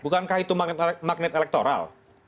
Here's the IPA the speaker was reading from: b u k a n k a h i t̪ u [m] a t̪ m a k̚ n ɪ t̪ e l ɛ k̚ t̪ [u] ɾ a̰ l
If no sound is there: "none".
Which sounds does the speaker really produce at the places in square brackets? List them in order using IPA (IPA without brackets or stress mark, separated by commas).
m, o